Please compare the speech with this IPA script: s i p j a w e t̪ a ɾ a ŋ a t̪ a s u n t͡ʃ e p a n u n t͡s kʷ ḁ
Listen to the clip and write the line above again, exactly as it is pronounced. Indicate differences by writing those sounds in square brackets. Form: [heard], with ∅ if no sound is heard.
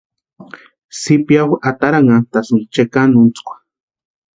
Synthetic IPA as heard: s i p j a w [a] t̪ a ɾ a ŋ a t̪ a s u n t͡ʃ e [k] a n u n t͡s kʷ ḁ